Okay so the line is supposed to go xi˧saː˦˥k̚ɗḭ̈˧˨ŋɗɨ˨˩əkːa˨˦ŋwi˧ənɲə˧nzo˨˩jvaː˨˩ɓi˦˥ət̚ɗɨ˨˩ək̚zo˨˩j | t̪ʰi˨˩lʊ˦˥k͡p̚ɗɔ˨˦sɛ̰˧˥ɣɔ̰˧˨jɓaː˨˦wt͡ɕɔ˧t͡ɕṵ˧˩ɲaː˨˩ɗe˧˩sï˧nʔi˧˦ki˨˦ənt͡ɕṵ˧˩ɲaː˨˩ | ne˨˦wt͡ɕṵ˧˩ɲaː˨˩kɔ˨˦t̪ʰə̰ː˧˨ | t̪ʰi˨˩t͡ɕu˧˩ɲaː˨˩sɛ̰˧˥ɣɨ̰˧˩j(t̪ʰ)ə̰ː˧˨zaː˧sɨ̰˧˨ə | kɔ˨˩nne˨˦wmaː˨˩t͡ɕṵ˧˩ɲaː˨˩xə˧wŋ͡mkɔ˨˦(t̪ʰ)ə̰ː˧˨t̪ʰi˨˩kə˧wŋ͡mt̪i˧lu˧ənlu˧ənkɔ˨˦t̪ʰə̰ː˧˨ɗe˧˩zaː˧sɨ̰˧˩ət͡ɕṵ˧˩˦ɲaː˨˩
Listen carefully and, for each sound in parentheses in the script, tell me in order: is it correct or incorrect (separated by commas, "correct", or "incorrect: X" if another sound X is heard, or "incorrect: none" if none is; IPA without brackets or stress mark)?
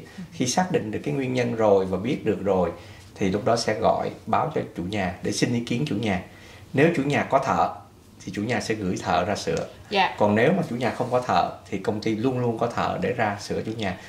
correct, correct